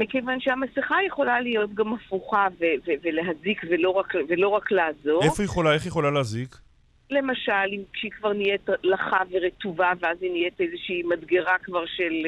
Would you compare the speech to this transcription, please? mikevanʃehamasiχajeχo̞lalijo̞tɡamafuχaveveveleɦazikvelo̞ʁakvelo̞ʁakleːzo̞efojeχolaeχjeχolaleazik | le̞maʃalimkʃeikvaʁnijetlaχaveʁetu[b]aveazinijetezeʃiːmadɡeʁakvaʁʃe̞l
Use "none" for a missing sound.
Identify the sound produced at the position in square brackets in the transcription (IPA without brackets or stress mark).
v